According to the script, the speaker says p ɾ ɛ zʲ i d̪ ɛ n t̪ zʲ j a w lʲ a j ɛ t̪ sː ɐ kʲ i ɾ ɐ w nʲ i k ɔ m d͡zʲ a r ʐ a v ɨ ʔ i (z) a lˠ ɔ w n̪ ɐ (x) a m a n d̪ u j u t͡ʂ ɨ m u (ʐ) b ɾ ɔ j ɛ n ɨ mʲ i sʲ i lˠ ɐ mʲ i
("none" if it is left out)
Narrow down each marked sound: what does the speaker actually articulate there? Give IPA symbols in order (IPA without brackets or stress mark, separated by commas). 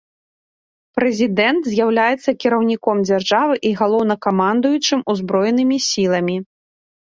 ɣ, k, z